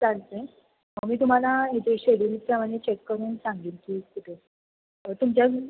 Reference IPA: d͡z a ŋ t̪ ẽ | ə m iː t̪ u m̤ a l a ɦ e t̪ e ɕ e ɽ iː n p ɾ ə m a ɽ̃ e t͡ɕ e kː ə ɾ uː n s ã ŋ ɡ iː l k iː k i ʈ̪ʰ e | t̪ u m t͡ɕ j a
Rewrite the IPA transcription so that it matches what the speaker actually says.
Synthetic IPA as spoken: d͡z a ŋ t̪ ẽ | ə m iː t̪ u m̤ a l a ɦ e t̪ e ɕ e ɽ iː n p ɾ ə m a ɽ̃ e t͡ɕ e kː ə ɾ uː n s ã ŋ ɡ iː l k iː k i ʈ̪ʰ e | t̪ u m t͡ɕ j a